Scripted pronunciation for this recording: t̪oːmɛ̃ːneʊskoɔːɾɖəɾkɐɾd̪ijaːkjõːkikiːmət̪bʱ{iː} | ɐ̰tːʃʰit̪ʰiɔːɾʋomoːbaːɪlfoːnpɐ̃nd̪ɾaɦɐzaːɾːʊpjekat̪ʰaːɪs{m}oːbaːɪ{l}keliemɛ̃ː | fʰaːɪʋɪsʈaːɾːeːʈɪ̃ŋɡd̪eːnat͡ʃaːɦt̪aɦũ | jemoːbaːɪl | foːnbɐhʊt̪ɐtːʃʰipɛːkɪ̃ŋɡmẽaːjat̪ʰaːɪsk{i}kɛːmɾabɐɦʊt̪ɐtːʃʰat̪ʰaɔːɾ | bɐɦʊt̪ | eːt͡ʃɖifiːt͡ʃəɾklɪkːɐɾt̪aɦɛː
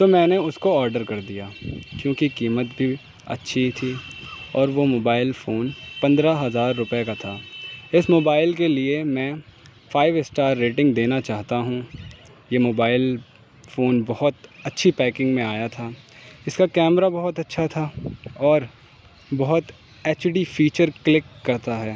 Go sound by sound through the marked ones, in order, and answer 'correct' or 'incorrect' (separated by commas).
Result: incorrect, correct, correct, incorrect